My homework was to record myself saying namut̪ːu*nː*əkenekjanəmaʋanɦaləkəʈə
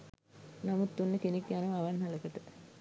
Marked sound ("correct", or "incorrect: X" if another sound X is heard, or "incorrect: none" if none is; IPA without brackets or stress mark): correct